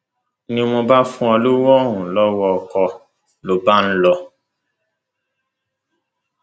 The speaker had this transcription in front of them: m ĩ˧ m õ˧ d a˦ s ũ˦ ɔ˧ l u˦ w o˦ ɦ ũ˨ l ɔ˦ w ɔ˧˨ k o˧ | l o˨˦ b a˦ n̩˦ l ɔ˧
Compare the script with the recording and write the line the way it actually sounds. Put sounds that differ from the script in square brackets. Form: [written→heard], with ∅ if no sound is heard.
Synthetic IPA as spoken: [m→n] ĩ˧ m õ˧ [d→b] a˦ [s→f] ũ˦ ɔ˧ l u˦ w [o˦→ɔ˦] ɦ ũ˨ l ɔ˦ w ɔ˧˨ k [o˧→ɔ˧] | l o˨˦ b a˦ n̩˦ l ɔ˧